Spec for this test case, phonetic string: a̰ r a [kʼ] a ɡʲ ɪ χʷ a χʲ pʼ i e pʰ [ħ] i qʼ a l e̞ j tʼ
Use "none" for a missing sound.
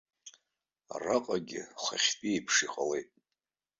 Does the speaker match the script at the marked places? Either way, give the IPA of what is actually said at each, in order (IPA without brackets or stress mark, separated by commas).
qʼ, ʂ